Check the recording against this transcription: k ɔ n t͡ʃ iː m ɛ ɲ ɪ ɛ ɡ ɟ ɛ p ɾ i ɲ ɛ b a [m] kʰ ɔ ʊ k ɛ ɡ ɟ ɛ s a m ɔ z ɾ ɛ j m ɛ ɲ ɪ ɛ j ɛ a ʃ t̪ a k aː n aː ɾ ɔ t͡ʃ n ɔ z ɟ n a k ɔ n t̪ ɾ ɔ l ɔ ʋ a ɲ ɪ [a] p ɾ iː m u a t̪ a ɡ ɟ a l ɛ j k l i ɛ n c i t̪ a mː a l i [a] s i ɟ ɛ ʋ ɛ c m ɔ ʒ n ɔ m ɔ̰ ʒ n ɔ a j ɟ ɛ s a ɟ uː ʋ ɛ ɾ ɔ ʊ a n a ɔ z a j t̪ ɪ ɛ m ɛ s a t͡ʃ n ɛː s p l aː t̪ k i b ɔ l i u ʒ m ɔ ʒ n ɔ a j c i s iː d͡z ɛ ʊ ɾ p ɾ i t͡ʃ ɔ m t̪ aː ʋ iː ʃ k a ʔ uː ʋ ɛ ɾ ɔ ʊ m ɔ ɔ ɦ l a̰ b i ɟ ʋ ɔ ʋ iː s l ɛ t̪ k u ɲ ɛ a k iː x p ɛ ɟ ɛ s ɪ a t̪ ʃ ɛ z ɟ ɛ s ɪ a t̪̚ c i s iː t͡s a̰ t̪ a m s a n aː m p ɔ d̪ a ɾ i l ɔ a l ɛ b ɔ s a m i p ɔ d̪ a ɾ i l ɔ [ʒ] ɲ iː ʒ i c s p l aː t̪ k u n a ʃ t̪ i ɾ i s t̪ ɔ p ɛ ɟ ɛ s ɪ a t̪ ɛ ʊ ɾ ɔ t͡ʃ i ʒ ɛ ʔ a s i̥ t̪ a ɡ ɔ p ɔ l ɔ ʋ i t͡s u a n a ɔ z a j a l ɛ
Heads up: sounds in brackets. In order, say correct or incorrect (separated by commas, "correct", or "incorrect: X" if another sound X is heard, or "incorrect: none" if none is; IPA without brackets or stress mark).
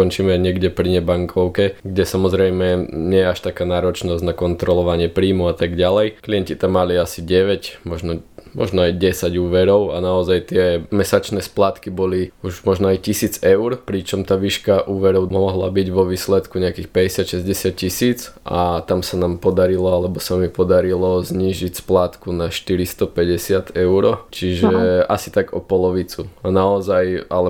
incorrect: ŋ, incorrect: ɛ, correct, incorrect: z